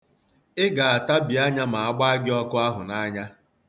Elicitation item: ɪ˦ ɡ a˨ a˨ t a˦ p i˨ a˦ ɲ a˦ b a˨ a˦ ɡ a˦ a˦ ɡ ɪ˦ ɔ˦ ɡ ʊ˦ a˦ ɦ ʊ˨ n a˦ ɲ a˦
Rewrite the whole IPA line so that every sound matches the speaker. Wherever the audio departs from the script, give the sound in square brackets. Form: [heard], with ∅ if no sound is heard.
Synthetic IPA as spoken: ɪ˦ ɡ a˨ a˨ t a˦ [b] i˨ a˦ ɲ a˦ [m] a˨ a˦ [ɡ͡b] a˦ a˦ ɡ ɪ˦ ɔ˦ [k] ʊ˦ a˦ ɦ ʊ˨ n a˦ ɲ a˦